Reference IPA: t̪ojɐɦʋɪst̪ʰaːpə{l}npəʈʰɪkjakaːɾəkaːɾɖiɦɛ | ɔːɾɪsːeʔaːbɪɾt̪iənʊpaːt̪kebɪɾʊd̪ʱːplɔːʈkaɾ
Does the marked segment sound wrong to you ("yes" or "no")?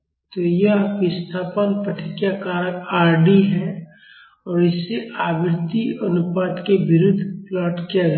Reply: yes